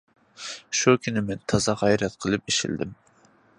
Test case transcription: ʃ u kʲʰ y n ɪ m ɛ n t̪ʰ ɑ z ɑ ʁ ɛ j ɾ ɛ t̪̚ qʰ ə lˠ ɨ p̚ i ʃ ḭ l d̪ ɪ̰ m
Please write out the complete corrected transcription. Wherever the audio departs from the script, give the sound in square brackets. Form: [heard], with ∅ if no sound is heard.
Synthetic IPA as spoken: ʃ u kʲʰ y n ɪ m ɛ n t̪ʰ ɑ z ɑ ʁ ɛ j ɾ ɛ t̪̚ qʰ ə lˠ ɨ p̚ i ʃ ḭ l d̪ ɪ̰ m